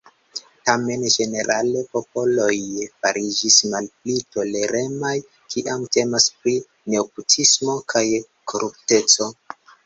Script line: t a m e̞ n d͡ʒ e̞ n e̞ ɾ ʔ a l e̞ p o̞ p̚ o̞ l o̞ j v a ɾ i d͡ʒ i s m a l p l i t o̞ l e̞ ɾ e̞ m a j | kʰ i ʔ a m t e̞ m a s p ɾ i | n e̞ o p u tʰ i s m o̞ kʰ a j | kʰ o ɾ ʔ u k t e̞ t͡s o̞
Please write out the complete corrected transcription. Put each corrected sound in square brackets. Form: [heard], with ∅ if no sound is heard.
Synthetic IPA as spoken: t a m e̞ n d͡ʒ e̞ n e̞ ɾ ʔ a l e̞ p o̞ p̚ o̞ l o̞ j [f] a ɾ i d͡ʒ i s m a l p l i t o̞ l e̞ ɾ e̞ m a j | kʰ i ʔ a m t e̞ m a s p ɾ i | n e̞ o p u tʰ i s m o̞ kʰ a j | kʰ o ɾ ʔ u [p] t e̞ t͡s o̞